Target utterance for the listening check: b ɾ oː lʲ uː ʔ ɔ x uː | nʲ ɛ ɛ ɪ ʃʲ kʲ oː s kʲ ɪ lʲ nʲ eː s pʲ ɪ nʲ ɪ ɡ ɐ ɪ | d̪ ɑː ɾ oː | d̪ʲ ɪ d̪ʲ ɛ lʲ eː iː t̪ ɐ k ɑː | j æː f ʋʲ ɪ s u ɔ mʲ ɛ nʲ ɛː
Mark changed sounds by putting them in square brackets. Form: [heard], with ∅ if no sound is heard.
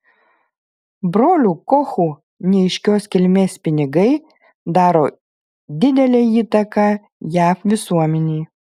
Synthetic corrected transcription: b ɾ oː lʲ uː [k] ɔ x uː | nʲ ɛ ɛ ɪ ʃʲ kʲ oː s kʲ ɪ lʲ [mʲ] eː s pʲ ɪ nʲ ɪ ɡ ɐ ɪ | d̪ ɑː ɾ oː | d̪ʲ ɪ d̪ʲ ɛ lʲ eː iː t̪ ɐ k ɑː | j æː f ʋʲ ɪ s u ɔ mʲ ɛ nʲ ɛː